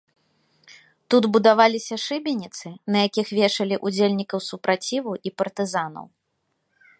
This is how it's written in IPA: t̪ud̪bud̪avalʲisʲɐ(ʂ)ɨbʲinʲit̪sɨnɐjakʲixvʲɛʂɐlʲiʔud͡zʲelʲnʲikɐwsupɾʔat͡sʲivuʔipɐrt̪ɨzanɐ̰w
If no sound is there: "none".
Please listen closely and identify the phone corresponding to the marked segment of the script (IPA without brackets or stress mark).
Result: ʂ